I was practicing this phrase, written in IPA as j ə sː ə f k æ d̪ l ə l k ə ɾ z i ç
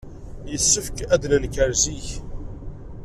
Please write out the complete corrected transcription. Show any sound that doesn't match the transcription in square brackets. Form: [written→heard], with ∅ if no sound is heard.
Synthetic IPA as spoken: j ə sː ə f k æ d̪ l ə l k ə ɾ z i ç